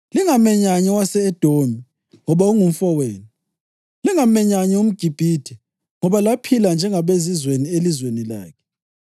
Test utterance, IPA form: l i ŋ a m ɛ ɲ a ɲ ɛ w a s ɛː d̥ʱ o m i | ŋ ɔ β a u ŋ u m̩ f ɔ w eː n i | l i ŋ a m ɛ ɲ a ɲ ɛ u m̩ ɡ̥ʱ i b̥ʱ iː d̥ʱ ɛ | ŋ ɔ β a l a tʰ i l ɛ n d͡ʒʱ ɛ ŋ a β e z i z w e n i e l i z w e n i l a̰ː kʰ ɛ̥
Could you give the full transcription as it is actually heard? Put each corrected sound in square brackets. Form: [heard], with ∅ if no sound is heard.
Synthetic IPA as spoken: l i ŋ a m ɛ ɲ a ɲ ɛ w a s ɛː d̥ʱ o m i | ŋ ɔ β a u ŋ u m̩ f ɔ w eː n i | l i ŋ a m ɛ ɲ a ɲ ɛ u m̩ ɡ̥ʱ i b̥ʱ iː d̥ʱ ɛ | ŋ ɔ β a l a [pʰ] i l [a] n d͡ʒʱ ɛ ŋ a β e z i z w e n i e l i z w e n i l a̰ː kʰ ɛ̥

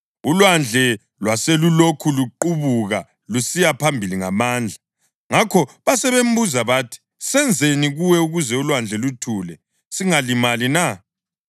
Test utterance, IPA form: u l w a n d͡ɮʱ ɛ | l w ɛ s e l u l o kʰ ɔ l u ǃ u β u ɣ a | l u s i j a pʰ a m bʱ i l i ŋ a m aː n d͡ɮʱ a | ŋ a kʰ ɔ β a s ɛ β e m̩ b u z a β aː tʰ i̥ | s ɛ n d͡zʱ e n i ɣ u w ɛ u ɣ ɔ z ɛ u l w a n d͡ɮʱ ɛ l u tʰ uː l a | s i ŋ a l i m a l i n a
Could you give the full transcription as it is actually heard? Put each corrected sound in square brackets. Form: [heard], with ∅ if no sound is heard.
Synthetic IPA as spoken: u l w a n d͡ɮʱ ɛ | l w [a] s e l u l o kʰ [u] l u ǃ u β u ɣ a | l u s i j a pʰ a m bʱ i l i ŋ a m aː n d͡ɮʱ a | ŋ a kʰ ɔ β a s ɛ β e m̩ b u z a β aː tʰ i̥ | s ɛ n d͡zʱ e n i ɣ u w ɛ u ɣ [u] z ɛ u l w a n d͡ɮʱ ɛ l u tʰ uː l [ɛ] | s i ŋ a l i m a l i n a

